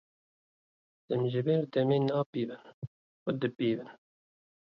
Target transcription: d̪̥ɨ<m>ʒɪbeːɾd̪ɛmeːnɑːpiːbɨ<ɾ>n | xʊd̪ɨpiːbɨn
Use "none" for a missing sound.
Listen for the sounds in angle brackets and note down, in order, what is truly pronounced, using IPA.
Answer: m, none

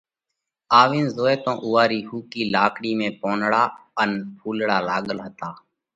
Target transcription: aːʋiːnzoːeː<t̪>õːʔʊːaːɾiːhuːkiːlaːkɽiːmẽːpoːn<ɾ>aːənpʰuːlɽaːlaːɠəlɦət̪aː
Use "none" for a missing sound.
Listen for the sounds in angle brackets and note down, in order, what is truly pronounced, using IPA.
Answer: t̪, ɽ

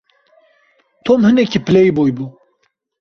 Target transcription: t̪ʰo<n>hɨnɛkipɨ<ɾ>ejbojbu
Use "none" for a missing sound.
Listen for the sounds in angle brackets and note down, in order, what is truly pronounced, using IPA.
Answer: m, l

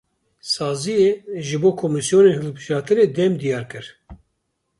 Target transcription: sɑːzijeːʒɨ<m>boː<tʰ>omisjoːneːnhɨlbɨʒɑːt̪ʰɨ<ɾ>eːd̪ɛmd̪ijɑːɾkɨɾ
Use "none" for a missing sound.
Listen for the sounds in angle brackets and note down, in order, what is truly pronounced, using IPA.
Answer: none, kʰ, ɾ

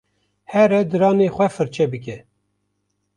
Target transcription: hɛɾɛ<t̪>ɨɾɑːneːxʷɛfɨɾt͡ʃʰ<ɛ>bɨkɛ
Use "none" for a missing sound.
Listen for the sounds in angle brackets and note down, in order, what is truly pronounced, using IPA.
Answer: d̪, ɛ

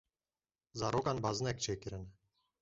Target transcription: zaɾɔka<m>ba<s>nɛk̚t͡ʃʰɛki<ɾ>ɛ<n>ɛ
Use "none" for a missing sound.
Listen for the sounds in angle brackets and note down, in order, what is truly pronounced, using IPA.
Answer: n, z, ɾ, n

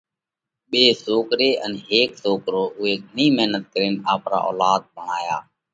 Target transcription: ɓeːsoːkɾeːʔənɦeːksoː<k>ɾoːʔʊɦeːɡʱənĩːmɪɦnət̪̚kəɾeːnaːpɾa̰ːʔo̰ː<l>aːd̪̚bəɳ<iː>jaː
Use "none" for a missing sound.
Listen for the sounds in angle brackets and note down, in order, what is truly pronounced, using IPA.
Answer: k, l, aː

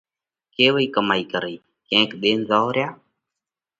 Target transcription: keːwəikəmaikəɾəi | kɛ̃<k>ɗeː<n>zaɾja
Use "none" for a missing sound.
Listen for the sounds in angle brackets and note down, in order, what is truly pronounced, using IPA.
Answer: k, n

